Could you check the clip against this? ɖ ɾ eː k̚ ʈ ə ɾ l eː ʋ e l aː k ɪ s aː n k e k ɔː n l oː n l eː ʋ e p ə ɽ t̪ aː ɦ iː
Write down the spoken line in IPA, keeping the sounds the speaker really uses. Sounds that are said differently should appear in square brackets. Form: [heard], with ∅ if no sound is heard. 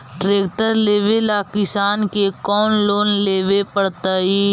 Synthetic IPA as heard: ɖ ɾ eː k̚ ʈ ə ɾ l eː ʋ e l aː k ɪ s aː n k e k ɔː n l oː n l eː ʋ e p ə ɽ t̪ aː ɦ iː